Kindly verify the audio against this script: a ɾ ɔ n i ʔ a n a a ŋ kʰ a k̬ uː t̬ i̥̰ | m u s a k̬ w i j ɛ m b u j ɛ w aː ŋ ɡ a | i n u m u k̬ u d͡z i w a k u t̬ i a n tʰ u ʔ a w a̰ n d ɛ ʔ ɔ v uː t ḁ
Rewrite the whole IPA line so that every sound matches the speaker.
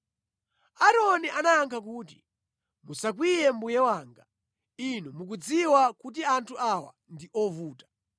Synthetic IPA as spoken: a ɾ ɔ n i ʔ a n a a ŋ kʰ a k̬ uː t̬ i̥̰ | m u s a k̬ w i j ɛ m b u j ɛ w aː ŋ ɡ a | i n u m u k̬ u d͡z i w a k u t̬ i a n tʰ u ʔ a w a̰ n d i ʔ ɔ v uː t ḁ